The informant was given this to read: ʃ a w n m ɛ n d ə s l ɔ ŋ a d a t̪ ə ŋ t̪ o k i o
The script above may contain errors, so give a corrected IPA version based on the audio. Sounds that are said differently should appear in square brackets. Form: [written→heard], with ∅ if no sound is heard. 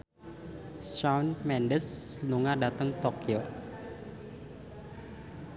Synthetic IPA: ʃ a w n m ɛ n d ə s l [ɔ→u] ŋ a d a t̪ ə ŋ t̪ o k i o